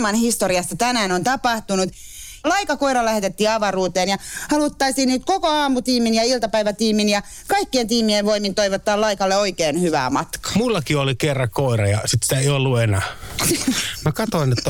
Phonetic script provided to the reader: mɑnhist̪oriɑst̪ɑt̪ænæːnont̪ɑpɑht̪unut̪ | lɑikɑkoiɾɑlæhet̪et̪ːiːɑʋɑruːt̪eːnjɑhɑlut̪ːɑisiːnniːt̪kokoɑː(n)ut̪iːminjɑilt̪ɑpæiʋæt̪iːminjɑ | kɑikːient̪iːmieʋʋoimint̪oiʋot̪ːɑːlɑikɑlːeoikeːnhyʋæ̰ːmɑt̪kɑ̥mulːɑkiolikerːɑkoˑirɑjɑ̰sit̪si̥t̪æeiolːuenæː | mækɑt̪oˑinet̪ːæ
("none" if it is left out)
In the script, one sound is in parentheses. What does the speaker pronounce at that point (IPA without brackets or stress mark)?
m